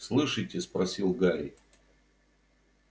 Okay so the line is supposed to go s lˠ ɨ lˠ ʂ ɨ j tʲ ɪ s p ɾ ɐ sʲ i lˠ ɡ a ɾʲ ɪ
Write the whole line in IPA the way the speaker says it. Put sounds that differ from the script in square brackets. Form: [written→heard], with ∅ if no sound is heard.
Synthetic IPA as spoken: s lˠ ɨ [lˠ→∅] ʂ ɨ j tʲ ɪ s p ɾ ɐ sʲ i lˠ ɡ a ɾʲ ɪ